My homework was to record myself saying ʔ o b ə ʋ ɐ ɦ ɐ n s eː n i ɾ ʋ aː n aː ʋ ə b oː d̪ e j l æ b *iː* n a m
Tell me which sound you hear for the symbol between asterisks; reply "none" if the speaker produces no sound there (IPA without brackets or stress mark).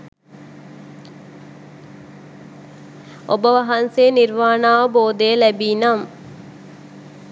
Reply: iː